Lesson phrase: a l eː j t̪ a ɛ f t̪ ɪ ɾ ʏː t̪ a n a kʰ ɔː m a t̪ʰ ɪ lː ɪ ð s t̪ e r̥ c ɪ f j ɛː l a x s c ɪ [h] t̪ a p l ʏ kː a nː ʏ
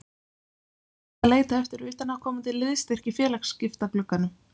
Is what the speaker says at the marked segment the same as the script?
no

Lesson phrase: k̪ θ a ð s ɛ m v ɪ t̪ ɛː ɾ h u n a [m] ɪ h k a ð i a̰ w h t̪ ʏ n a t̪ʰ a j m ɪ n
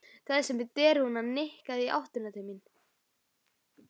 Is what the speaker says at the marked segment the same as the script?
no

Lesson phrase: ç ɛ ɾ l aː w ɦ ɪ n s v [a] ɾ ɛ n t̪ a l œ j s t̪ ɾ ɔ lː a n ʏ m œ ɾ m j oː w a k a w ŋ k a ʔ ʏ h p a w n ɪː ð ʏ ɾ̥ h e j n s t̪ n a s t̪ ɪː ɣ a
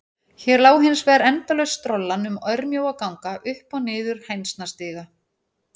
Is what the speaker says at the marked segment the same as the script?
no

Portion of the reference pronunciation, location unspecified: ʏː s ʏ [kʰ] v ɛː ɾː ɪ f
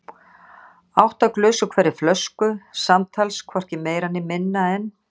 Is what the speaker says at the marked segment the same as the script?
yes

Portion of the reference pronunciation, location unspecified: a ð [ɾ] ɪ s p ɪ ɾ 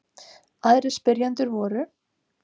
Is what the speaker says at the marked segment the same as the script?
yes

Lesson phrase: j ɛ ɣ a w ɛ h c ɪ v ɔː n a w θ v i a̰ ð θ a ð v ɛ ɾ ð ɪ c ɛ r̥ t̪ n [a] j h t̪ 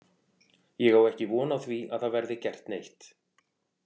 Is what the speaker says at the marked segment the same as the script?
no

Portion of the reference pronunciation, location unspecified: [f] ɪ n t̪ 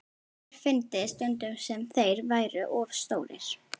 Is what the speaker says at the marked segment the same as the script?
yes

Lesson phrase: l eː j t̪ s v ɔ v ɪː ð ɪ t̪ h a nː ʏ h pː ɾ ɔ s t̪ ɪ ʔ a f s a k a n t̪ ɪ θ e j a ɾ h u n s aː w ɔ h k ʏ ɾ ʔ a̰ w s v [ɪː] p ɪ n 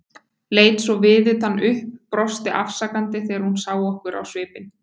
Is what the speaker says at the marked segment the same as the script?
yes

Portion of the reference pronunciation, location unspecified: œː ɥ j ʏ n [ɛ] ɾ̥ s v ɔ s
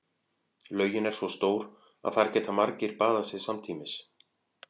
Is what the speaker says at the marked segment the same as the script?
yes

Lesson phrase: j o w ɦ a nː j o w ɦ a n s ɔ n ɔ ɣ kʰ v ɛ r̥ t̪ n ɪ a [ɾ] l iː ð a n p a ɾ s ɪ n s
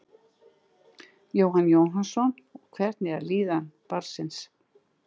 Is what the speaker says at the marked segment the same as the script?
yes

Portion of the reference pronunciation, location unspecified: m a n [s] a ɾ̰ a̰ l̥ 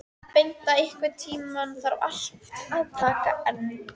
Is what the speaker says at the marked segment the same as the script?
no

